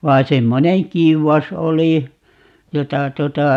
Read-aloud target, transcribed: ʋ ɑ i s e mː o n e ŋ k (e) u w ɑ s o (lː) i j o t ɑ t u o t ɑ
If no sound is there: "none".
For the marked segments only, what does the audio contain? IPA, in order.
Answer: i, l

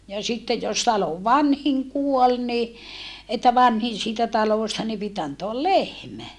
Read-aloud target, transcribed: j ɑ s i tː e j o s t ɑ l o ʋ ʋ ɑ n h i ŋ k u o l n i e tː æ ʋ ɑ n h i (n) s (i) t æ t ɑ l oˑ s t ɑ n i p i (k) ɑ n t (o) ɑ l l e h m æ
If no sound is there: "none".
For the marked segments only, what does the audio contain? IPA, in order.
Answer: n, iː, t, o

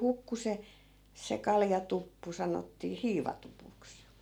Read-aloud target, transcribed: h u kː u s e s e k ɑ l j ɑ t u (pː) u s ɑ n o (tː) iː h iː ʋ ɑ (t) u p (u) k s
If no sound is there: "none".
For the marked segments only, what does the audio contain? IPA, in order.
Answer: pː, tː, t, u

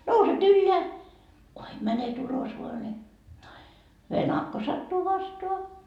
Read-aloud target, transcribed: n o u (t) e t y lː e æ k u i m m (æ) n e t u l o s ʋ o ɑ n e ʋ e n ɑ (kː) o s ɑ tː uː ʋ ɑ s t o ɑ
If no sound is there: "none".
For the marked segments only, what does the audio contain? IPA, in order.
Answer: s, æ, kː

